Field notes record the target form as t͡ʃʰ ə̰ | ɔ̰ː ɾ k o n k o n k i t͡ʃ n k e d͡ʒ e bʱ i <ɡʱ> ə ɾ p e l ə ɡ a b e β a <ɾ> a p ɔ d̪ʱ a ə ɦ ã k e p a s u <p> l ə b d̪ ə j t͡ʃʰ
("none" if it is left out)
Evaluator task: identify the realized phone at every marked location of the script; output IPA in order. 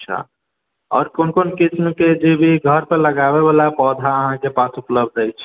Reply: ɡʱ, l, p

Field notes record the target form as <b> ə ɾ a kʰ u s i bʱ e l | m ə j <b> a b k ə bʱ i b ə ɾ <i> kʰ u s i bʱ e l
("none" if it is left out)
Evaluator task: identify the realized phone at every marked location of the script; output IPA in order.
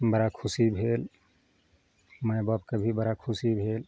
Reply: b, b, a

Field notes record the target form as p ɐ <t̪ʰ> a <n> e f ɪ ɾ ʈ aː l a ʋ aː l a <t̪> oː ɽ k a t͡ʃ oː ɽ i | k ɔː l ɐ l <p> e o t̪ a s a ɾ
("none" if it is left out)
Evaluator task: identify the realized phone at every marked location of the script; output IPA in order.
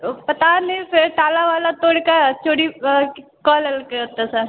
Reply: t̪, n, t̪, k

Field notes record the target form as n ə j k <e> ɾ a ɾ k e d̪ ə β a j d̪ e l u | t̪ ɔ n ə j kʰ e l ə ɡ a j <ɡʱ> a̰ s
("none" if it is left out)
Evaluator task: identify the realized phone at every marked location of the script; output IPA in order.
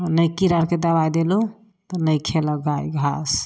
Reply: i, ɡʱ

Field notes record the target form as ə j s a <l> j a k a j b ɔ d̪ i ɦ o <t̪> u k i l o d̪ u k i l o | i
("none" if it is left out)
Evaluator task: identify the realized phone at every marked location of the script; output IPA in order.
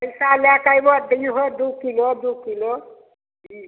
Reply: l, d̪

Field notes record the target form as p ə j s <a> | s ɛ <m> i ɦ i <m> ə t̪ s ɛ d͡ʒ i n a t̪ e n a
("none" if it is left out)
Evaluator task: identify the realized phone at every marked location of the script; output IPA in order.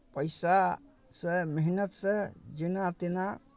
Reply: a, m, n

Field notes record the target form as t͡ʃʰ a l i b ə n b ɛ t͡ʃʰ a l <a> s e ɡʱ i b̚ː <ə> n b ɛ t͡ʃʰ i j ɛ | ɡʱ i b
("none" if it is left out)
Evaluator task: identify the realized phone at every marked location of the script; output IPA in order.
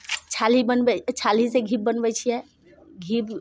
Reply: i, ə

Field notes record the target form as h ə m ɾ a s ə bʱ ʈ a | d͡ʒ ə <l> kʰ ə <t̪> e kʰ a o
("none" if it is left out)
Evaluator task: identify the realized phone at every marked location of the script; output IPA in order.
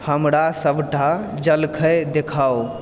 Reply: l, d̪

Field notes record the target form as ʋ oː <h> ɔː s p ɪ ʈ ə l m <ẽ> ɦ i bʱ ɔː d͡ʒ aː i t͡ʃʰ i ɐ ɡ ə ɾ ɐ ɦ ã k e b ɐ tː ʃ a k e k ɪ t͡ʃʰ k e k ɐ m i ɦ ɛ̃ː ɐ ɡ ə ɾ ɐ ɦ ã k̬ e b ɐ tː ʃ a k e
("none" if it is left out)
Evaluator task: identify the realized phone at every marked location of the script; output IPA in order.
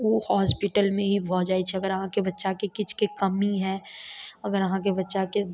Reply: h, ẽ

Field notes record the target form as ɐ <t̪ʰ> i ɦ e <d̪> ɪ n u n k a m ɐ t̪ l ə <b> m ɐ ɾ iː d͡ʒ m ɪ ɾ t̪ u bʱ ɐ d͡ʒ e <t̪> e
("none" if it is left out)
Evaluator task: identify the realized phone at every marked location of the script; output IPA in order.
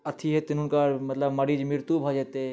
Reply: t̪ʰ, t̪, b, t̪

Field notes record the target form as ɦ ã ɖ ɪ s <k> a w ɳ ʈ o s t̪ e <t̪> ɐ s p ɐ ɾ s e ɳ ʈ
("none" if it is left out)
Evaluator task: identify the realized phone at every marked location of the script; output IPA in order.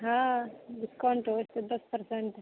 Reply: k, d̪

